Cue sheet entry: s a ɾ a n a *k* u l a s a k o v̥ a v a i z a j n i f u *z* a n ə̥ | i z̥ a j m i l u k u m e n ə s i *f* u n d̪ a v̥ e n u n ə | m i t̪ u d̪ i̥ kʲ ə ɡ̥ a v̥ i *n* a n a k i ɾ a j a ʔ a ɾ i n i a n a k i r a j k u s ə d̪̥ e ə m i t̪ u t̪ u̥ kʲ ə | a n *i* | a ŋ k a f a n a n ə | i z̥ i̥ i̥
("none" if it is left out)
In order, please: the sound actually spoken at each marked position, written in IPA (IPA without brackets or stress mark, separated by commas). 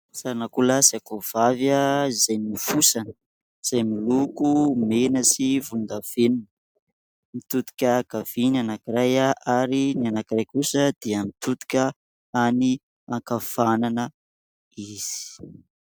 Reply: k, s, v, n, i